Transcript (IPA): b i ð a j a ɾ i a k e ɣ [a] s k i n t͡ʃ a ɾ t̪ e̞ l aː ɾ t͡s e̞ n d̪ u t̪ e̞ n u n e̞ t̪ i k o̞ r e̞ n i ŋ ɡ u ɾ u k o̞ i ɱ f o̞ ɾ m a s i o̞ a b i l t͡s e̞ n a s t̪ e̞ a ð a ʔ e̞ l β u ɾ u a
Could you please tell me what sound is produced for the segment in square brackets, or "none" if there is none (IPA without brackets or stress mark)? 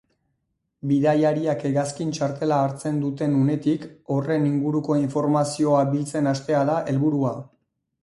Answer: a